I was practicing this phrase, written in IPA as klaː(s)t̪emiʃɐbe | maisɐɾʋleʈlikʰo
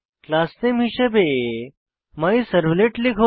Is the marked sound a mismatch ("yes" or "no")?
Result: no